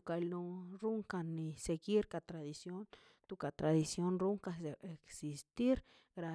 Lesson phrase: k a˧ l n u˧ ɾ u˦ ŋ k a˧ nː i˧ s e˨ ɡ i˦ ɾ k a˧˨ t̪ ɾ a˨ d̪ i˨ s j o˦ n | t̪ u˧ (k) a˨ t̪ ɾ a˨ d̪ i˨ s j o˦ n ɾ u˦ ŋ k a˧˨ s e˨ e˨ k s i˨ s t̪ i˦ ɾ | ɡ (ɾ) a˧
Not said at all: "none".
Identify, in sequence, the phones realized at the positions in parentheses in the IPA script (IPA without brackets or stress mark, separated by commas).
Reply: k, ɾ